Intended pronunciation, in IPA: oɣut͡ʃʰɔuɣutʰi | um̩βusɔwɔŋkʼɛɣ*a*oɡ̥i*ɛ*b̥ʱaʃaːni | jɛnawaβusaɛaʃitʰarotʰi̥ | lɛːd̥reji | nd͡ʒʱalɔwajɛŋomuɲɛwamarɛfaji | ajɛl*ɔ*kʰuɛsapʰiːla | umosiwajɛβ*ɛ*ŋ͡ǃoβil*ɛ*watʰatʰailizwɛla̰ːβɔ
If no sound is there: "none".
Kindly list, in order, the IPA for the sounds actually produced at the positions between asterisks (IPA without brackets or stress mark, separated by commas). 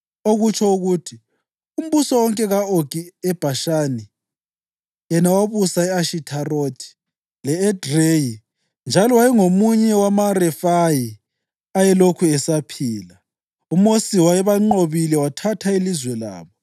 a, ɛ, o, a, ɛ